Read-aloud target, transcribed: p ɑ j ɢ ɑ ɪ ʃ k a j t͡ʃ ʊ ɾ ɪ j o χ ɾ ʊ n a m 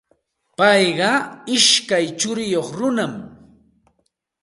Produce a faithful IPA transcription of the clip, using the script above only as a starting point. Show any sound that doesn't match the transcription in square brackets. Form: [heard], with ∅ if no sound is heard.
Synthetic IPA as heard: p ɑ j ɢ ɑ ɪ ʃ k a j t͡ʃ ʊ ɾ ɪ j o χ ɾ ʊ n a m